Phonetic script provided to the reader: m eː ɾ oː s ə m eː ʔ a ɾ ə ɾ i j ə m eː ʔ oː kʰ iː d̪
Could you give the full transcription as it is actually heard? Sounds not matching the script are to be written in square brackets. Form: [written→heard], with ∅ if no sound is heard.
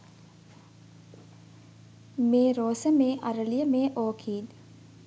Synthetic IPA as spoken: m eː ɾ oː s ə m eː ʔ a ɾ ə [ɾ→l] i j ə m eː ʔ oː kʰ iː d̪